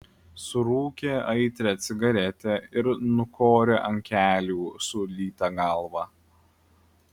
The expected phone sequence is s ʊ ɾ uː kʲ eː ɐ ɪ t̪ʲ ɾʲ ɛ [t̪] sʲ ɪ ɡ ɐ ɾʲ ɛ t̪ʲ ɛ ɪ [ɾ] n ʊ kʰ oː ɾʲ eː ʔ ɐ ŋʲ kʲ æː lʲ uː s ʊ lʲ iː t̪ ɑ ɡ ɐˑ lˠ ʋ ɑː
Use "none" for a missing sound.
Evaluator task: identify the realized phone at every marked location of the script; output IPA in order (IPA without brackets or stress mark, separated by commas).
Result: t̪, ɾ